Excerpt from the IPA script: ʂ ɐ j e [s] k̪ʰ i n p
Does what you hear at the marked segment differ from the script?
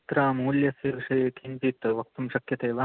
yes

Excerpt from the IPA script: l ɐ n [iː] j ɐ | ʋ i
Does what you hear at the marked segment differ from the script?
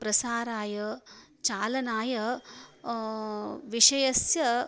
yes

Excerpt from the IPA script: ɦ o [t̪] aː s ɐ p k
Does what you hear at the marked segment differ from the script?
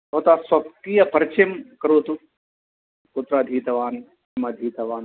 no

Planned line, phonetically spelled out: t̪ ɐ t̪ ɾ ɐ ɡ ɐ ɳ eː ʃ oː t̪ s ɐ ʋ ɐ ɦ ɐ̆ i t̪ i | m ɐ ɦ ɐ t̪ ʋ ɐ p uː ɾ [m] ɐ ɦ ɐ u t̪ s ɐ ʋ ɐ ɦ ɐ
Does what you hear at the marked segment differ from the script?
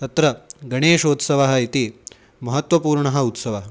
yes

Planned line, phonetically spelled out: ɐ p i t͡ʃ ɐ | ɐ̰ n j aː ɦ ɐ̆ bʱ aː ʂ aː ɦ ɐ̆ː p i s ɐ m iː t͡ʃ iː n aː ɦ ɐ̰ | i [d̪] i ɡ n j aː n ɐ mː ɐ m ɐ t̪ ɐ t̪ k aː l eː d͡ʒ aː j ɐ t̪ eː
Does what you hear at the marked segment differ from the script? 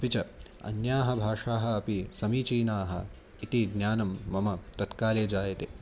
yes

